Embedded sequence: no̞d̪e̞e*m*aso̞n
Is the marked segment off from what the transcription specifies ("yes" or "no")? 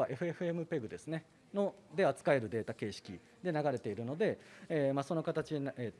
no